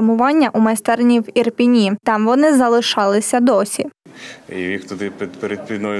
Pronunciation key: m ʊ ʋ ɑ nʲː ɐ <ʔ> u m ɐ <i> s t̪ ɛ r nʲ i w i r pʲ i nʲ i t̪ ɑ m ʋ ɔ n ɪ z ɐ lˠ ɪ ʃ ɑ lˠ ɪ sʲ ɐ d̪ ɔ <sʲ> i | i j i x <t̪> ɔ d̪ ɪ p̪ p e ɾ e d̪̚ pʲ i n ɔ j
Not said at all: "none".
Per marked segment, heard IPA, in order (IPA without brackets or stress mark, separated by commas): ʔ, j, sʲ, t̪